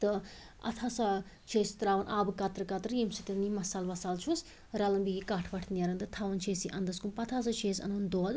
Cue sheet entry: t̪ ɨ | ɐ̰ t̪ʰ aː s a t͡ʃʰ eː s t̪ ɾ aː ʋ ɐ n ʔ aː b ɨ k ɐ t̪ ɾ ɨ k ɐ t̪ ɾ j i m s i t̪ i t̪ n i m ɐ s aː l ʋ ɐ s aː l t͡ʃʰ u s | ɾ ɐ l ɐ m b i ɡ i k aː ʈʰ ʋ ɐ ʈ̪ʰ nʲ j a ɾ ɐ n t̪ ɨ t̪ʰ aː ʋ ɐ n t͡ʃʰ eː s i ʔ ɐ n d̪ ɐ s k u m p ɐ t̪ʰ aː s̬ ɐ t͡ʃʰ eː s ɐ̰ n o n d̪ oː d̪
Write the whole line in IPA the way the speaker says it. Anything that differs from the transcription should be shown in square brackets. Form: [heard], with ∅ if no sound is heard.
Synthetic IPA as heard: t̪ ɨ | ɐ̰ t̪ʰ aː s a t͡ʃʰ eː s t̪ ɾ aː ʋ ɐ n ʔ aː b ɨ k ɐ t̪ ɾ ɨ k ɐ t̪ ɾ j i m s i t̪ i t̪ n i m ɐ s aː l ʋ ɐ s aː l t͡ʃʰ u s | ɾ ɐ l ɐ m b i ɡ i k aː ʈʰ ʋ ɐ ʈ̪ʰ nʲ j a ɾ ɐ n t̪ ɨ t̪ʰ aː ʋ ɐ n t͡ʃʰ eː s i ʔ ɐ n d̪ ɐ s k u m p ɐ t̪ʰ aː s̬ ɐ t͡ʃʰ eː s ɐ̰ n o n d̪ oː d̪